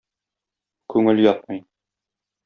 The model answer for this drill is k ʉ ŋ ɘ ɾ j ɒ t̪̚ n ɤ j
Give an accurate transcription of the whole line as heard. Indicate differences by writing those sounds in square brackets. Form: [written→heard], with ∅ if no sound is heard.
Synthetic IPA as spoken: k ʉ ŋ ɘ [ɾ→l] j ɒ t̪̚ [n→m] ɤ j